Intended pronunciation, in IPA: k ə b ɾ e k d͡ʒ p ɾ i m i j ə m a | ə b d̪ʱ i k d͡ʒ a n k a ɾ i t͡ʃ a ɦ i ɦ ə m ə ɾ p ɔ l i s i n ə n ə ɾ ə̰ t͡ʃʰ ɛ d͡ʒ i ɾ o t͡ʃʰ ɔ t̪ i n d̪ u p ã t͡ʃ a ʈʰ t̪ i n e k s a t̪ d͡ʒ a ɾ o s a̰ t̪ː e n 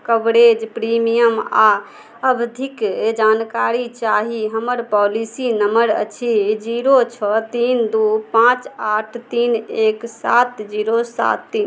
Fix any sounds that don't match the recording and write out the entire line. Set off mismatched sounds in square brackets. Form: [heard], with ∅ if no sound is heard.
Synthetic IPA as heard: k ə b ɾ e [∅] d͡ʒ p ɾ i m i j ə m a | ə b d̪ʱ i k d͡ʒ a n k a ɾ i t͡ʃ a ɦ i ɦ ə m ə ɾ p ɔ l i s i n ə [m] ə ɾ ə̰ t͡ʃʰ [i] d͡ʒ i ɾ o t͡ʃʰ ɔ t̪ i n d̪ u p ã t͡ʃ a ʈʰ t̪ i n e k s a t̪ d͡ʒ [i] ɾ o s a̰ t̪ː [i] n